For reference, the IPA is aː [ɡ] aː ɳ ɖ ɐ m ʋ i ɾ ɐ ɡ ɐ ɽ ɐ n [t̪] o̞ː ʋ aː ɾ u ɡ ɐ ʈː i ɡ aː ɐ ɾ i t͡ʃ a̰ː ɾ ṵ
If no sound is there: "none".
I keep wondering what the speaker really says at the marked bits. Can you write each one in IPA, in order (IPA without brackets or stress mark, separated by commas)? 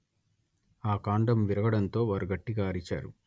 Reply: k, t̪